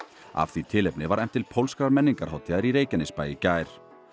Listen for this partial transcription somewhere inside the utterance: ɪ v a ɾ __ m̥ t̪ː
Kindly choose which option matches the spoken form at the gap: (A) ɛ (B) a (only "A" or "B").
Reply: A